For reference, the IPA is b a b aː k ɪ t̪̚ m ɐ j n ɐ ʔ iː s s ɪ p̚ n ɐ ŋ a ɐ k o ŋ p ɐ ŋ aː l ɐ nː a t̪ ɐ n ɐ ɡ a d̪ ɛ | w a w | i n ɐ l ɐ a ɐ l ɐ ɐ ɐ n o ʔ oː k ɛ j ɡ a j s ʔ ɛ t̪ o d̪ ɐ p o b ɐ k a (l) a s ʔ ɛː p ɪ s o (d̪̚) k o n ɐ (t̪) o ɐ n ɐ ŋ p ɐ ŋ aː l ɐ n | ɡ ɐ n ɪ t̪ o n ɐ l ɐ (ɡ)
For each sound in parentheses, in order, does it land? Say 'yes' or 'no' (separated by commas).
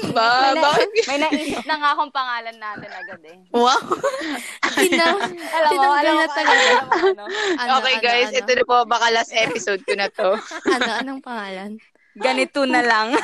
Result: yes, yes, yes, no